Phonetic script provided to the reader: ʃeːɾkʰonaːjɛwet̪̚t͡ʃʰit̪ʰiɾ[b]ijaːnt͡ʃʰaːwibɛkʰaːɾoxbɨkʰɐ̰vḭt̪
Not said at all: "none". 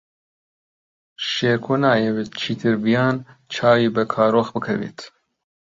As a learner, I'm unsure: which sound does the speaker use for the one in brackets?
b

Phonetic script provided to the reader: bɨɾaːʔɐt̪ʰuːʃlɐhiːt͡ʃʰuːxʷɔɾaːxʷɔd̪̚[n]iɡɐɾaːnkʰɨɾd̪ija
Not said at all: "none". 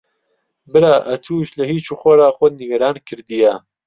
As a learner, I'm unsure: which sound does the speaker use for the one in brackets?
n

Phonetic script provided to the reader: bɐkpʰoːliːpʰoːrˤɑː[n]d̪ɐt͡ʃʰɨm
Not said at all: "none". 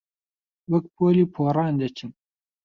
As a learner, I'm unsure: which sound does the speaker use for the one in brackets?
n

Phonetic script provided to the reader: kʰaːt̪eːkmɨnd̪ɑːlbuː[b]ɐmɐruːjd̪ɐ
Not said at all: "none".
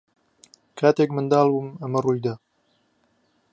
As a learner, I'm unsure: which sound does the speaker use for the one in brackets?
m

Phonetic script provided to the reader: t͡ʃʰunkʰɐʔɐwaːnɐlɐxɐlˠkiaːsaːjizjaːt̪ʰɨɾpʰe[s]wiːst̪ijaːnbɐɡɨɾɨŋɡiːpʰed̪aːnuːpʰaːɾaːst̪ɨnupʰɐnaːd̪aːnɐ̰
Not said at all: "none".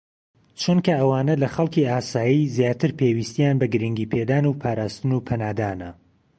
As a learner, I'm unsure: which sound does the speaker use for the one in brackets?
none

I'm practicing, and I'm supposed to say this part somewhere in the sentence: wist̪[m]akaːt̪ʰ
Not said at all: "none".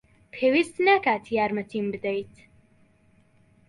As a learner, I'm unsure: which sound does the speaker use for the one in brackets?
n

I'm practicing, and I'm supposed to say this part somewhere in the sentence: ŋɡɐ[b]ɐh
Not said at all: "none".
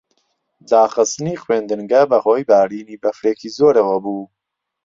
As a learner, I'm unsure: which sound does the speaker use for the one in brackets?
b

